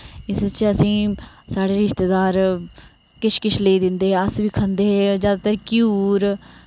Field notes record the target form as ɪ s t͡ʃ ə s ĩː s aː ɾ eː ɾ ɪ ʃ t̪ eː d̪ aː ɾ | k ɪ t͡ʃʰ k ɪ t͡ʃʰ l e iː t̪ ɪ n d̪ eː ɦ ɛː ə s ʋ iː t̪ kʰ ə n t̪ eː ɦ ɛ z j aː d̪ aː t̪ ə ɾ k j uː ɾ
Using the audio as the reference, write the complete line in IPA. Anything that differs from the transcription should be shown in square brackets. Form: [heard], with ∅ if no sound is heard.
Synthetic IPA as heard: ɪ s t͡ʃ ə s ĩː s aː [ɽ] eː ɾ ɪ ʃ t̪ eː d̪ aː ɾ | k ɪ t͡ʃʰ k ɪ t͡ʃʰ l e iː [d̪] ɪ n d̪ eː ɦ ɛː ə s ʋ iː [∅] kʰ ə n [d̪] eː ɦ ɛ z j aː d̪ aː t̪ ə ɾ k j uː ɾ